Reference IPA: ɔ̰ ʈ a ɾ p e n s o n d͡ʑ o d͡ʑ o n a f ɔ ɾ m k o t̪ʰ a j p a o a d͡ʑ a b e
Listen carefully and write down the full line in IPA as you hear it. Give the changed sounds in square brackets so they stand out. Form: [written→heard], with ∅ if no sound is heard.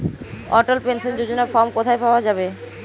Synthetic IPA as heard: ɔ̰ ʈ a [ɾ→l] p e n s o n d͡ʑ o d͡ʑ o n a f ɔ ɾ m k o t̪ʰ a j p a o a d͡ʑ a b e